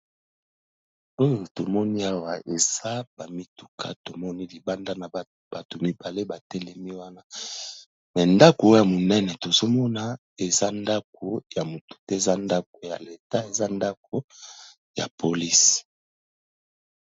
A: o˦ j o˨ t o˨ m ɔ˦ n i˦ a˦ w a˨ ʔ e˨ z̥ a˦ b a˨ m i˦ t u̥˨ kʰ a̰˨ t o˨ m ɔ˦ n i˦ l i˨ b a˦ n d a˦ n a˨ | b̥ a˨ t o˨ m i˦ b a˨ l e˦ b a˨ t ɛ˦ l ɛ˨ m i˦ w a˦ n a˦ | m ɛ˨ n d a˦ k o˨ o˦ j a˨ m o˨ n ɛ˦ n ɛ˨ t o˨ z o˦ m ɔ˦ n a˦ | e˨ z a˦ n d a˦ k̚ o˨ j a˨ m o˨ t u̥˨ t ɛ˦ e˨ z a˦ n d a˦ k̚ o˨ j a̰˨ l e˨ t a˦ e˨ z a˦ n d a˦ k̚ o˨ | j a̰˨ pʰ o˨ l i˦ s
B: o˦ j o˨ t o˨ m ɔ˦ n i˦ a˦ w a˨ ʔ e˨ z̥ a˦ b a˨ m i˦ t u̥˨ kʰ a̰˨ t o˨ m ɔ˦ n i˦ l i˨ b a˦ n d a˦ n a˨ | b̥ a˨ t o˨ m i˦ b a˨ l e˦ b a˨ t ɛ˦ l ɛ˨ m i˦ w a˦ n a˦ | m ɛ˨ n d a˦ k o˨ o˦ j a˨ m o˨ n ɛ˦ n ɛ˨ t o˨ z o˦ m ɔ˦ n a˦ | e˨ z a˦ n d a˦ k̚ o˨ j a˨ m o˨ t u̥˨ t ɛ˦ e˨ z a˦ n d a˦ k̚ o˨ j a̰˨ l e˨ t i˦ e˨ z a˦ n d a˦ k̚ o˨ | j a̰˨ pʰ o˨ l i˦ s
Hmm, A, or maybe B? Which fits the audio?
A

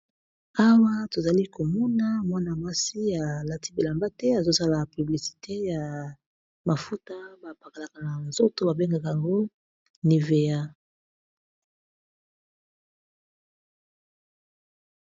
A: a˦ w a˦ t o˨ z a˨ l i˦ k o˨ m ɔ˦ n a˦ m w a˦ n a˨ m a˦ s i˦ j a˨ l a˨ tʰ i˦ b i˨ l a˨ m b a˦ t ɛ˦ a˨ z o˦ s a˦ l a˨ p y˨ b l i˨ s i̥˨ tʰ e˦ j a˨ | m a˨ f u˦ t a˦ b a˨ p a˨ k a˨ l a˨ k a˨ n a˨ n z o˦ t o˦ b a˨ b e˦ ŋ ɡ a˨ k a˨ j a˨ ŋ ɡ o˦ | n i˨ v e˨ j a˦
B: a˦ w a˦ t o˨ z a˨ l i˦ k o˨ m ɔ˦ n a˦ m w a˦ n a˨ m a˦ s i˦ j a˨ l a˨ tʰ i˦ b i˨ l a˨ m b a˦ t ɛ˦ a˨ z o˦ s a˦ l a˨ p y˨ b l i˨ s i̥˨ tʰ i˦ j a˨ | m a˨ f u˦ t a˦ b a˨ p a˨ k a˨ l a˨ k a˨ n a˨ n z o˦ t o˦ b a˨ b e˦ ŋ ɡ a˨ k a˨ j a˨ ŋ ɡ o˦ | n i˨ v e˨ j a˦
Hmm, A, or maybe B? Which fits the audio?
A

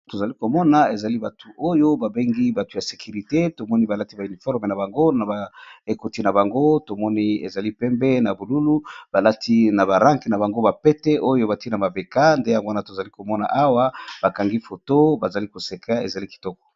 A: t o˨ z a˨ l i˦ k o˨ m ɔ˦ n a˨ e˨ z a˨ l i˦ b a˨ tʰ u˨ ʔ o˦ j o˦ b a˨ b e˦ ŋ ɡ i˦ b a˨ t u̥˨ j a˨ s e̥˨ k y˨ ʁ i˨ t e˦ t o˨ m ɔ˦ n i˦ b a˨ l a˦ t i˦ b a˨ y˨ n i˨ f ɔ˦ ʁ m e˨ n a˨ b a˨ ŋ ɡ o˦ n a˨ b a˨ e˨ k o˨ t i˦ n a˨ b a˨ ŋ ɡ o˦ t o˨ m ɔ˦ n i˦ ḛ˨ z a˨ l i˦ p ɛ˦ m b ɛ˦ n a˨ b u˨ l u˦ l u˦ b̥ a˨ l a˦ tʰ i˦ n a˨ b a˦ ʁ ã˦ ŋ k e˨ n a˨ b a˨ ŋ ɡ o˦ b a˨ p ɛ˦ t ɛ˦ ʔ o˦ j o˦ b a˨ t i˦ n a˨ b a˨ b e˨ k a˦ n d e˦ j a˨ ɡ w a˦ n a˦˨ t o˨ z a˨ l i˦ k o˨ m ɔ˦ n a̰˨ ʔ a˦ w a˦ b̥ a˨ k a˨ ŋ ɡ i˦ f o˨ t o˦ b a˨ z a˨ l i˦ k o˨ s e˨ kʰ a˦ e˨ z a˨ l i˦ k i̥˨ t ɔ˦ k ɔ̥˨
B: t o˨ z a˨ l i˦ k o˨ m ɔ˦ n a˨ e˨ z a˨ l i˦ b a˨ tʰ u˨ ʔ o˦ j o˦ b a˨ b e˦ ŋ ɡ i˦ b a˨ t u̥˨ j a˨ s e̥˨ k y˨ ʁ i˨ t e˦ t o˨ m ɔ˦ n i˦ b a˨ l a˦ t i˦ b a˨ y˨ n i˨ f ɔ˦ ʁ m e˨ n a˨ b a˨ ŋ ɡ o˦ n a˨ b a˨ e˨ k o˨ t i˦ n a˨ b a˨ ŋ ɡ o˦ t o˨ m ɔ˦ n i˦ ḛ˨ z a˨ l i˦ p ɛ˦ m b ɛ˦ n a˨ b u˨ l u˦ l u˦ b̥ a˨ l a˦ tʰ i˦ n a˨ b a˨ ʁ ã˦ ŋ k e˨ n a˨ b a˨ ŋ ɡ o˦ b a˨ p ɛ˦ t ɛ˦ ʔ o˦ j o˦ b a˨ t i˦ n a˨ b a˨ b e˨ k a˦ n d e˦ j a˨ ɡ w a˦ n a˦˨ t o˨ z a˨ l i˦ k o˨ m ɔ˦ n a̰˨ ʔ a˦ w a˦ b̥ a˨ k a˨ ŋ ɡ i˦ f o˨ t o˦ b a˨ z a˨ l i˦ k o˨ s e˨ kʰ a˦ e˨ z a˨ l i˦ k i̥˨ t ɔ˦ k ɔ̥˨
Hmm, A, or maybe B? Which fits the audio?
B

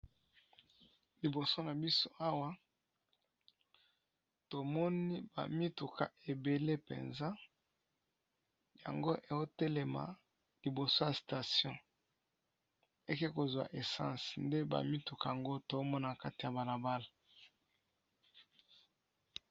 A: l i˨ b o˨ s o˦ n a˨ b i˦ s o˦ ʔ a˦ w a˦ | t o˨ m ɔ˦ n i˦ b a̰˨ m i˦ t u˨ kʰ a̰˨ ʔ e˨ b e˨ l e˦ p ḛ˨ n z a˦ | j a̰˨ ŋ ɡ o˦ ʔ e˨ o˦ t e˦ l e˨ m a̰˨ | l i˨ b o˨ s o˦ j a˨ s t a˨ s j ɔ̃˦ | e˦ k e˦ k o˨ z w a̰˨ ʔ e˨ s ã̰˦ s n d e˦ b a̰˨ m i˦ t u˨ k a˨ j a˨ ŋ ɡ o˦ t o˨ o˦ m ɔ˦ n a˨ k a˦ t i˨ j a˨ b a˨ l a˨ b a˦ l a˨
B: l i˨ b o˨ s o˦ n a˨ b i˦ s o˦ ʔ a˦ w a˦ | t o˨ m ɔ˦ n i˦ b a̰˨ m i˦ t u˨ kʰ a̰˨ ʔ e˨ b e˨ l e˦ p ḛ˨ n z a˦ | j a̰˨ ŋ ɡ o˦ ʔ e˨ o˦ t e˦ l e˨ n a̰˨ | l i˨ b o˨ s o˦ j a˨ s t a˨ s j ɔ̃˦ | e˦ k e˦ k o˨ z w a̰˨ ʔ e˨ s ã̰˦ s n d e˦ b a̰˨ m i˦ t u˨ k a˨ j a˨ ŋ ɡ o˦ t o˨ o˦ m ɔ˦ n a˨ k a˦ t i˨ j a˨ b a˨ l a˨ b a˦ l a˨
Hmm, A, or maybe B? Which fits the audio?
A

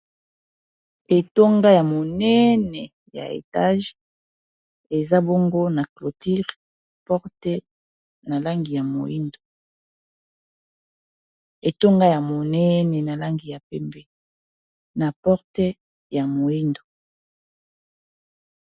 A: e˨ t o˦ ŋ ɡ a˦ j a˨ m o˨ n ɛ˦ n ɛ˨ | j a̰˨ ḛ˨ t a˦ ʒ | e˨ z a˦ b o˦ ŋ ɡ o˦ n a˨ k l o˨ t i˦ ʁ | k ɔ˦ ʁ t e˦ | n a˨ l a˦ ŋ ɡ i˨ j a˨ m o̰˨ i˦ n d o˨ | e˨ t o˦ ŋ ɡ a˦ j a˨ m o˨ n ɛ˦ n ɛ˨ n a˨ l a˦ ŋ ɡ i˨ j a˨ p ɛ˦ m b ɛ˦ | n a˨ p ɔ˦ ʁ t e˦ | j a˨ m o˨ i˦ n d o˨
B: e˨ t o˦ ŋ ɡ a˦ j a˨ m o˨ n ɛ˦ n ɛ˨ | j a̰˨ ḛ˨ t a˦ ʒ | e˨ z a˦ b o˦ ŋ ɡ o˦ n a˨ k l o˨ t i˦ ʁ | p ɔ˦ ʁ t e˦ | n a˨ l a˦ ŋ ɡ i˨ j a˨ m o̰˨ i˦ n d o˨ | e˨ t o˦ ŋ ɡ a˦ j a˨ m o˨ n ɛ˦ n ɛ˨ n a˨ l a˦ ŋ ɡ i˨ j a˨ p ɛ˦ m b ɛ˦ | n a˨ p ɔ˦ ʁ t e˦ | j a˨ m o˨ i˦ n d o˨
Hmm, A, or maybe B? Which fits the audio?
B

